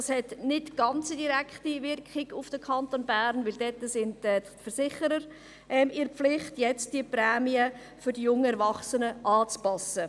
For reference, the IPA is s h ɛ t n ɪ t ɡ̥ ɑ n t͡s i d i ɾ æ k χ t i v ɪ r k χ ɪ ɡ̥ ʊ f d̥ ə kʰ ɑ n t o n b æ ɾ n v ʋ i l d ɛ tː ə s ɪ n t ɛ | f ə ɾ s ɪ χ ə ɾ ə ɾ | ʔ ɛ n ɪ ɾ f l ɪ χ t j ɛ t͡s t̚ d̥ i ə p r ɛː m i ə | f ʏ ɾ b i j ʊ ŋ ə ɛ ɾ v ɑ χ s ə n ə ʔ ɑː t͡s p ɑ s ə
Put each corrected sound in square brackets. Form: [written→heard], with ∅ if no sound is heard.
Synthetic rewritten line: s h ɛ t n ɪ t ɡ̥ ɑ n t͡s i d i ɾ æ k χ t i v ɪ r k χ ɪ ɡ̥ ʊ f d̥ ə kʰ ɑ n t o n b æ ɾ n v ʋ [i→ɪ] l d ɛ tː ə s ɪ n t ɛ | f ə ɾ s ɪ χ ə ɾ ə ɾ | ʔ ɛ [n→m] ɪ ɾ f l ɪ χ t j ɛ t͡s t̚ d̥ i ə p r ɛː m i ə | f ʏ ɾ [b→d] i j ʊ ŋ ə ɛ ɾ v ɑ χ s ə n ə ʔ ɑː t͡s p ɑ s ə